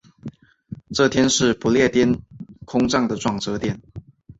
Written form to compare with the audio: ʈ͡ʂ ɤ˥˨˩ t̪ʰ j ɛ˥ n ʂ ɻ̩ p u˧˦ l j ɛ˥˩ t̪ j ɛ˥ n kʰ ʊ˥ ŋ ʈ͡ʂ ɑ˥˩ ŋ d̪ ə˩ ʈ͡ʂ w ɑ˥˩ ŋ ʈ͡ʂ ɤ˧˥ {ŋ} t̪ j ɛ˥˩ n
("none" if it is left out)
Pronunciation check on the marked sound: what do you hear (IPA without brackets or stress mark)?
none